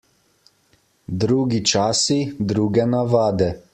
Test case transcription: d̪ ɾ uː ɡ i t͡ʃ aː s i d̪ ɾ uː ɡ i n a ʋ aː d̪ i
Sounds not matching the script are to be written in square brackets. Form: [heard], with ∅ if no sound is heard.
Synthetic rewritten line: d̪ ɾ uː ɡ i t͡ʃ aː s i d̪ ɾ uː ɡ [ɛ] n a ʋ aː d̪ [ɛ]

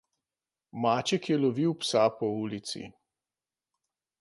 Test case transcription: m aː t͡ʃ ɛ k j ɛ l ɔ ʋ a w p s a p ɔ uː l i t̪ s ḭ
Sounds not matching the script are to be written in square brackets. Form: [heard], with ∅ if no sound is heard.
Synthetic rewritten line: m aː t͡ʃ ɛ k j ɛ l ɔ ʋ [i] w p s a p ɔ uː l i t̪ s ḭ

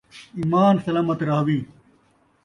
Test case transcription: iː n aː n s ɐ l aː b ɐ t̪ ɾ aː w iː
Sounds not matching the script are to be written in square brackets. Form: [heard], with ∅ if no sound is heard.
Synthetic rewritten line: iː [m] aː n s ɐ l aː [m] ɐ t̪ ɾ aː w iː

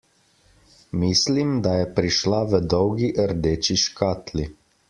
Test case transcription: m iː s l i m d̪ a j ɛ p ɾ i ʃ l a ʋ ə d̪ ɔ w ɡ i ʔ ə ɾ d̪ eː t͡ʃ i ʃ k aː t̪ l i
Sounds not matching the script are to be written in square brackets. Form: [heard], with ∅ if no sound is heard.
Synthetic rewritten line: m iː s l i m d̪ a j ɛ p ɾ i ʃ l a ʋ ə d̪ ɔ w ɡ i ʔ ə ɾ d̪ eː t͡ʃ i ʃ k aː t̪ l i

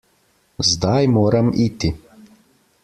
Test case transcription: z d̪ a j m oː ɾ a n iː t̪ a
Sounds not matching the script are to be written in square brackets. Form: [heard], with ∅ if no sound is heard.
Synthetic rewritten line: z d̪ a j m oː ɾ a [m] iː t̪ [i]

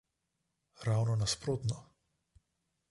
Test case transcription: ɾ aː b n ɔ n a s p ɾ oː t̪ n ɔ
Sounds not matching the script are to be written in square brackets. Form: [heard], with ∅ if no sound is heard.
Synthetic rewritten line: ɾ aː [w] n ɔ n a s p ɾ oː t̪ n ɔ

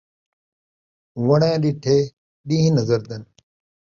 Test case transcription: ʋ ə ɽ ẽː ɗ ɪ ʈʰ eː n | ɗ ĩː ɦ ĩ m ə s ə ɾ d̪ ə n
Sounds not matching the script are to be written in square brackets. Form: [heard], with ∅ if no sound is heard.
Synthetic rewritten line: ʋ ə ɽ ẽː ɗ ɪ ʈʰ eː [∅] | ɗ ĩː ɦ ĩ [n] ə [z] ə ɾ d̪ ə n

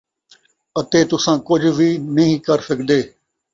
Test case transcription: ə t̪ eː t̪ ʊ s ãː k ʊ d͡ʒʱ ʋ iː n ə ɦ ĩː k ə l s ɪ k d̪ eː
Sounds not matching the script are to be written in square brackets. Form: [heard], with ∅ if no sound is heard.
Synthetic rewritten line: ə t̪ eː t̪ ʊ s ãː k ʊ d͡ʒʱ ʋ iː n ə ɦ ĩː k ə [ɾ] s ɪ k d̪ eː

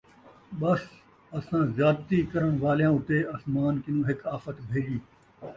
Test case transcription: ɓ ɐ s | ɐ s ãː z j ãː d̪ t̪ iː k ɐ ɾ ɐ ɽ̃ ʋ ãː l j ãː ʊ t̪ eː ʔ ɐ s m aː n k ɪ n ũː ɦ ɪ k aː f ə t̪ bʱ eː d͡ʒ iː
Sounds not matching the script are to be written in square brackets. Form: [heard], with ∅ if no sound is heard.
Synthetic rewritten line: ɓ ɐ s | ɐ s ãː z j [aː] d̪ t̪ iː k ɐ ɾ [ə] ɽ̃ ʋ [aː] l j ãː ʊ t̪ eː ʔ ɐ s m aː n k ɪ n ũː ɦ ɪ k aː f ə t̪ bʱ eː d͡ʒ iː

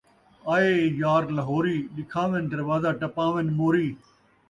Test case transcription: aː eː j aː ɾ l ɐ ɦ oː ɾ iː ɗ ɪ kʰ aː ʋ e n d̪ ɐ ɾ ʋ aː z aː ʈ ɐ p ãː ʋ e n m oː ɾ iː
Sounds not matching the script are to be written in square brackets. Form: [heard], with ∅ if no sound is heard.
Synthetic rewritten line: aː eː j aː ɾ l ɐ ɦ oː ɾ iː ɗ ɪ kʰ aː ʋ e n d̪ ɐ ɾ ʋ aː z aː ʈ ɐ p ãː ʋ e n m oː ɾ iː

